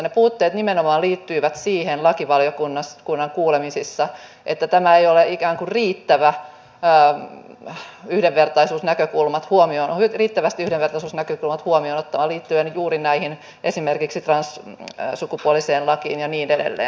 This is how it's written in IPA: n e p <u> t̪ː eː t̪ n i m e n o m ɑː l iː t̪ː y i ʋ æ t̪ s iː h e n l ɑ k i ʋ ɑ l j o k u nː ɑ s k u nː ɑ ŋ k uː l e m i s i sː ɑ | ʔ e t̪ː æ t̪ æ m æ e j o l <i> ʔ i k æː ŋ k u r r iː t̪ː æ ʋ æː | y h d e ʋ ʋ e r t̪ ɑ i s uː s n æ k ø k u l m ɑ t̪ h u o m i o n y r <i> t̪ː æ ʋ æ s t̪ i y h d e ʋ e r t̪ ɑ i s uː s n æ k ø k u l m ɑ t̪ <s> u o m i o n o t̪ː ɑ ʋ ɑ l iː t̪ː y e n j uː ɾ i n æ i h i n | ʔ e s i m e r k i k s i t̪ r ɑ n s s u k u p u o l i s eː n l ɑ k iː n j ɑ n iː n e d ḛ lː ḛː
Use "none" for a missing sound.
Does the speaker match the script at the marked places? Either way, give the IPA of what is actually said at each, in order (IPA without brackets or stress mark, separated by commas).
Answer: uː, e, iː, h